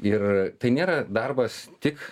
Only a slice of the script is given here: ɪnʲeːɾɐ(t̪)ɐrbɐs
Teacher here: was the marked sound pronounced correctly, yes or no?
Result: no